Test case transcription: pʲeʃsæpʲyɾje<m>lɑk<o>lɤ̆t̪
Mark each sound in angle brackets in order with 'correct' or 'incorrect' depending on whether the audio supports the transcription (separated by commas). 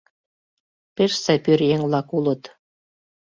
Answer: incorrect, incorrect